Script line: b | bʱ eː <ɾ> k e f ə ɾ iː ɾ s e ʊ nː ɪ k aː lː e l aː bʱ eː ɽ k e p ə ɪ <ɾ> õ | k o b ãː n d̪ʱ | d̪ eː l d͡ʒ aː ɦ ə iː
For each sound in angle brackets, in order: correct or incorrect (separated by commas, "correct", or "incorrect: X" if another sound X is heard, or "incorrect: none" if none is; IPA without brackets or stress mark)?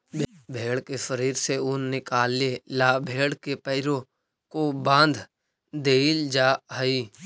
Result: incorrect: ɽ, correct